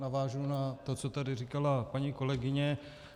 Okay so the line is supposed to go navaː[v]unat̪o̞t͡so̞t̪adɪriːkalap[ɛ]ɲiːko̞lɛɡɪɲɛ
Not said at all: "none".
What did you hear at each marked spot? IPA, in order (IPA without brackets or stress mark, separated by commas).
ʒ, a